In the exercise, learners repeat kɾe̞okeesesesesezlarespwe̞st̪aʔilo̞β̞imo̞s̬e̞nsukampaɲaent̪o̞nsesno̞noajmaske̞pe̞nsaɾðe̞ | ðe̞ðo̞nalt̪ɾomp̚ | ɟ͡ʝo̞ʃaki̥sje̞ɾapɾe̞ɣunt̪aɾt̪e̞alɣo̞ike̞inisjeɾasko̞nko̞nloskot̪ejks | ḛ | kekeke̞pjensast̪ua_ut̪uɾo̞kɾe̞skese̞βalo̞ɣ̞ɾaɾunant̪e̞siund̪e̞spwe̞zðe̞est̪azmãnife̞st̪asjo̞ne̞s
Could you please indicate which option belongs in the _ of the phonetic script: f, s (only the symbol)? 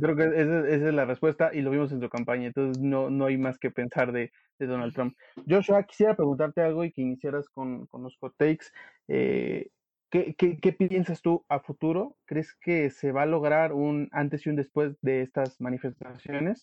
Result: f